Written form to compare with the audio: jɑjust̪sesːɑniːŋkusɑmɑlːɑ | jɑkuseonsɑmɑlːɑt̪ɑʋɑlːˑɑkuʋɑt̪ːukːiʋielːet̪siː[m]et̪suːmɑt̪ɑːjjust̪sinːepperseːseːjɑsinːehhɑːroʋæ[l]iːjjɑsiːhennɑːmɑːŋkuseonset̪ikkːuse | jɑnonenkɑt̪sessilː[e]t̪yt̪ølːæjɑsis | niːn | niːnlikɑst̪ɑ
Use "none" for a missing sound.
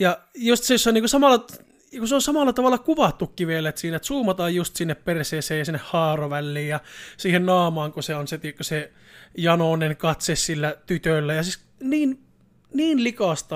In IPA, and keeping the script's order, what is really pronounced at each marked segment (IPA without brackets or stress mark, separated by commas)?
n, lː, æ